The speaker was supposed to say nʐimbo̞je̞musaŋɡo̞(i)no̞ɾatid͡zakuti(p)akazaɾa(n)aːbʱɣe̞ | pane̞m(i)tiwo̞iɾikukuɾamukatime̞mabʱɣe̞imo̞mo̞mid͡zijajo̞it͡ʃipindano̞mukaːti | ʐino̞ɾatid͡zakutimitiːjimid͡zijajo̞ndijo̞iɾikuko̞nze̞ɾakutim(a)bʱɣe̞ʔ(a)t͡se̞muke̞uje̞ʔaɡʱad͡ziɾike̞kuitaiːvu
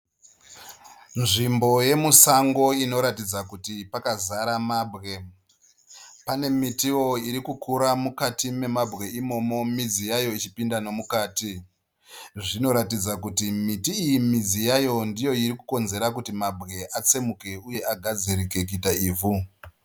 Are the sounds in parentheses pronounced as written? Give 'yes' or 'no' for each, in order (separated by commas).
yes, yes, no, yes, yes, yes